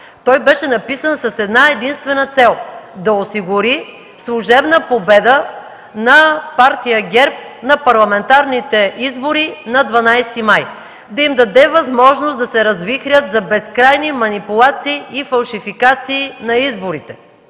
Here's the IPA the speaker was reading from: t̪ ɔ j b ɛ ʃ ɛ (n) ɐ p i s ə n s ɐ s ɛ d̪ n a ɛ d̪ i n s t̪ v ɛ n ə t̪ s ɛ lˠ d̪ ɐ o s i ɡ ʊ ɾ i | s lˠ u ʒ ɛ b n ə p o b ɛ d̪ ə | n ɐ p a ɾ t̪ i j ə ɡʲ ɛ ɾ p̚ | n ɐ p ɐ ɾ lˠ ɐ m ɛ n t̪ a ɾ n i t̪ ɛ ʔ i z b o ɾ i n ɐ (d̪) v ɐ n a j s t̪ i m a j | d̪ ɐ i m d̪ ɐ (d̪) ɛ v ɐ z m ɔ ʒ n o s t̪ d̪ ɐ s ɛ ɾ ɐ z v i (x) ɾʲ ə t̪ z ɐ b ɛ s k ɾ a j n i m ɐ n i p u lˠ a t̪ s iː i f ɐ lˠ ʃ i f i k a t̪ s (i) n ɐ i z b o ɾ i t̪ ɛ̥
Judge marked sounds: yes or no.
yes, yes, yes, yes, no

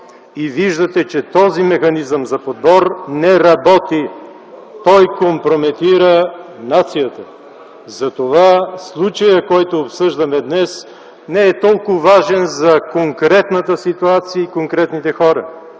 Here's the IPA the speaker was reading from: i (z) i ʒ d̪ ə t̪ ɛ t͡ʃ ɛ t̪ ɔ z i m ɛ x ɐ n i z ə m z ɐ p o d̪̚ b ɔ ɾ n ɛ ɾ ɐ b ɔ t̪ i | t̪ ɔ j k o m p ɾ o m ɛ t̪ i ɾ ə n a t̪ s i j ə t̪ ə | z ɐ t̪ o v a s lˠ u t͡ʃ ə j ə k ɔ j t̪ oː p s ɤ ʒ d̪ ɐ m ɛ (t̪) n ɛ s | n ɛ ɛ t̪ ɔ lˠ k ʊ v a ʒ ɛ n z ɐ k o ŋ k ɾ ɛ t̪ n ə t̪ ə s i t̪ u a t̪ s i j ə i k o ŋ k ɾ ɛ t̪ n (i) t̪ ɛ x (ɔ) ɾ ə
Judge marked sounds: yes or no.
no, no, yes, yes

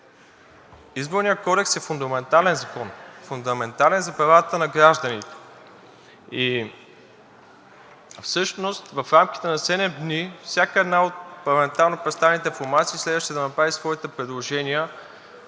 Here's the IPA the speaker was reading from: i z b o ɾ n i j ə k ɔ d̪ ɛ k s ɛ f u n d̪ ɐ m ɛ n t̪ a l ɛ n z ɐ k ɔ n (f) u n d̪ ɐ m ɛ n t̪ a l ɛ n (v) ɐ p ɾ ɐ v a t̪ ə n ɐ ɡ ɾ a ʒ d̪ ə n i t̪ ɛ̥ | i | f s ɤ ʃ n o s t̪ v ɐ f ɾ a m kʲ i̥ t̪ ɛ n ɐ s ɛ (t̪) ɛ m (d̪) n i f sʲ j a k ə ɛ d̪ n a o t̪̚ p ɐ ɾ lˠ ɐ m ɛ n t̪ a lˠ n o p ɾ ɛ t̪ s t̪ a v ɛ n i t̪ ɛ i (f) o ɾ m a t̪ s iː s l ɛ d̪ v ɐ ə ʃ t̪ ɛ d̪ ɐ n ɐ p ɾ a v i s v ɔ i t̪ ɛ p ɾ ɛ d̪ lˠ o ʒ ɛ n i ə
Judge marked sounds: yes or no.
yes, no, no, yes, yes

